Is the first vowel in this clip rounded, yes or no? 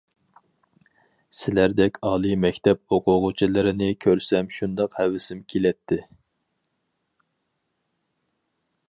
no